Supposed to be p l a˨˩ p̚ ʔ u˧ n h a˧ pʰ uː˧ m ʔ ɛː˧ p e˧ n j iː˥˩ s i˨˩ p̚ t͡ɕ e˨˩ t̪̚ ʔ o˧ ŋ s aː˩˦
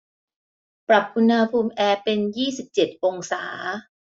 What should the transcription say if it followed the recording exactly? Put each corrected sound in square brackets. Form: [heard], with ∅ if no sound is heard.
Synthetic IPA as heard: p [ɾ] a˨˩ p̚ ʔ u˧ n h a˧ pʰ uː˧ m ʔ ɛː˧ p e˧ n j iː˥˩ s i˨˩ p̚ t͡ɕ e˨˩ t̪̚ ʔ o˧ ŋ s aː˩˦